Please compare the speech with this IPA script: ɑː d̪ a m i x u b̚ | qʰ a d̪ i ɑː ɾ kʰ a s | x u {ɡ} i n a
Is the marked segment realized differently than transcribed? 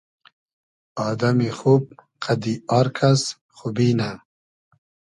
yes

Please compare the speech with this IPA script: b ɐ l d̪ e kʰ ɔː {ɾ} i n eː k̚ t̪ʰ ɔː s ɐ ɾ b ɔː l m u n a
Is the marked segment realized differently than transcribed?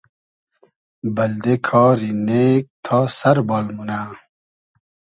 no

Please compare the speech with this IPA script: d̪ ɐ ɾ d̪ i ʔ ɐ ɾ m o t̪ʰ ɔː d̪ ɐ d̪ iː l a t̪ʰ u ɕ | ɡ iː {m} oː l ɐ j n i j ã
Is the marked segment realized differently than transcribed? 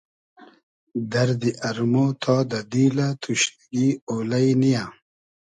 yes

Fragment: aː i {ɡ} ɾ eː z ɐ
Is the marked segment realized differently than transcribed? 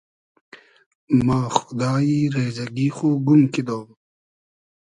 yes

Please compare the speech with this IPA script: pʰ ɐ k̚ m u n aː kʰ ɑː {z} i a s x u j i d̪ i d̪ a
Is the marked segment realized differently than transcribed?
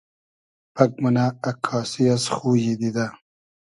yes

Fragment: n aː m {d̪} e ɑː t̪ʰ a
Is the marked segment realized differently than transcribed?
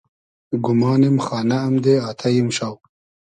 no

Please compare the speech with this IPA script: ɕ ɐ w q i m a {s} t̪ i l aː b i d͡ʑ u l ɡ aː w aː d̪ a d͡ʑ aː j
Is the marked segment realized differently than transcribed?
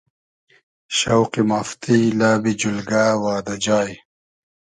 yes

